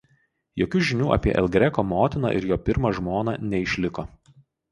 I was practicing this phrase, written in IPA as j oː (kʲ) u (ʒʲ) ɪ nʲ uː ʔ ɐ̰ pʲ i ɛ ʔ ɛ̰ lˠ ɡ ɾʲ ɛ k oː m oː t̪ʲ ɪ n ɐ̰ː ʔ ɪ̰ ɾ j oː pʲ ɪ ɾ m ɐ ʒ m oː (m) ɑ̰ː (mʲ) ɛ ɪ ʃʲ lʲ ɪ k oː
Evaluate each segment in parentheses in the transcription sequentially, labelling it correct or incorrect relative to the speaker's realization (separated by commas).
correct, correct, incorrect, incorrect